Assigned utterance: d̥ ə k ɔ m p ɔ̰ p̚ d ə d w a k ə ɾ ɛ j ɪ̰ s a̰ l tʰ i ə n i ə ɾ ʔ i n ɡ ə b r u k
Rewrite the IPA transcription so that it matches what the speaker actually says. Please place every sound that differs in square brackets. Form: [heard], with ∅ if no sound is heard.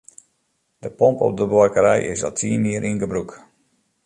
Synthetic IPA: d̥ ə [p] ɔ m p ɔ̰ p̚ d ə [b] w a k ə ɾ ɛ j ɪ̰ s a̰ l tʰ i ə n i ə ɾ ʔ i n ɡ ə b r u k